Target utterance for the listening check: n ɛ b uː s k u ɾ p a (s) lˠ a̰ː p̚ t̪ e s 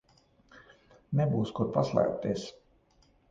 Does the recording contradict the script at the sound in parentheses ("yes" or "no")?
no